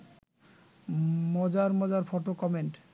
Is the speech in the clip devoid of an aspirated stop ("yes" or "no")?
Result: yes